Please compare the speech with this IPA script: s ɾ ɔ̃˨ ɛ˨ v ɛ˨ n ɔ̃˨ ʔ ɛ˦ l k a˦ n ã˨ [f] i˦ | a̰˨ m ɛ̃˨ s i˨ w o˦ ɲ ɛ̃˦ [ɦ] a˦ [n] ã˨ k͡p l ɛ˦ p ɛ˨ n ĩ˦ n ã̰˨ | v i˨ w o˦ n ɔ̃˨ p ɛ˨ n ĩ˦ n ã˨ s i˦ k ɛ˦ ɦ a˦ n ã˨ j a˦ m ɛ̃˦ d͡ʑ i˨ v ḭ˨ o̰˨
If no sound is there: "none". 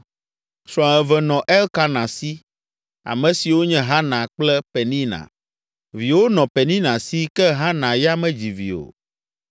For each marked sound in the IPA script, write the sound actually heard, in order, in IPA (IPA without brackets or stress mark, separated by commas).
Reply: s, ɦ, n